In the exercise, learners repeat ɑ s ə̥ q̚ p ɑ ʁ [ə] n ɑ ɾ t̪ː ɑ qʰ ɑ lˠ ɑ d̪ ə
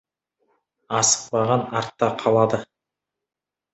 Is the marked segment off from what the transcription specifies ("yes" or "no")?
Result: yes